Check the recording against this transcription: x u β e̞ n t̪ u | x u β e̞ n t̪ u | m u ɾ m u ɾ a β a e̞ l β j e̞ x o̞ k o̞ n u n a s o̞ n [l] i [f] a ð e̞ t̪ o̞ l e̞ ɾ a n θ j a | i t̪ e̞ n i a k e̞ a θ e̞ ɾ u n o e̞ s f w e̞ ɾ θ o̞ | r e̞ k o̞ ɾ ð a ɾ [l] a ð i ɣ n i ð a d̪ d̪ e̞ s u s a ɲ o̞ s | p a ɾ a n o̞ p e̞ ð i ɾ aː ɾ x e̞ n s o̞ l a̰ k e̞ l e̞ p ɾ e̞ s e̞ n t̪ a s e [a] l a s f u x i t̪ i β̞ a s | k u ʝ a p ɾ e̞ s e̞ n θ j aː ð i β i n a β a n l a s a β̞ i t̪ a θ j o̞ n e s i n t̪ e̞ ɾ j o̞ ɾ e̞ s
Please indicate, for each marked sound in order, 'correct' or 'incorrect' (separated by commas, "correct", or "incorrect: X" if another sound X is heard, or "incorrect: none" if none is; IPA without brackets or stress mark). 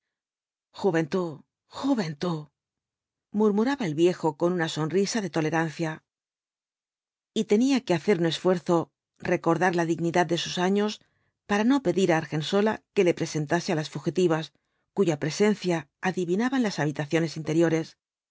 incorrect: r, incorrect: s, correct, correct